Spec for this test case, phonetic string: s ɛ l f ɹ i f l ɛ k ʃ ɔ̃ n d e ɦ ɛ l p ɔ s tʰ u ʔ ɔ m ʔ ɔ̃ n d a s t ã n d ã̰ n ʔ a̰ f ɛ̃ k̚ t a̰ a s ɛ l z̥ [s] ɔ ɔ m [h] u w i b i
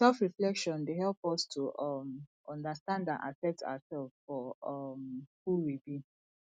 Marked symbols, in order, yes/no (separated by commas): no, yes